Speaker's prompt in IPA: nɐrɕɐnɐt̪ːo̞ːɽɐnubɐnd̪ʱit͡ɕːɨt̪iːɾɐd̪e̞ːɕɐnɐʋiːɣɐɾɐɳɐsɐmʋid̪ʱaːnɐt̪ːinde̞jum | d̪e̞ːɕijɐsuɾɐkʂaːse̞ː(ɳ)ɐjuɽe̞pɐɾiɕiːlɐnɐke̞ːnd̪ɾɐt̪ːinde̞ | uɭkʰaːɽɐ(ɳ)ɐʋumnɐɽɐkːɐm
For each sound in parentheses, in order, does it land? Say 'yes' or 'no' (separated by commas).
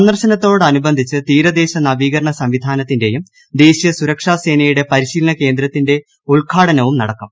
no, no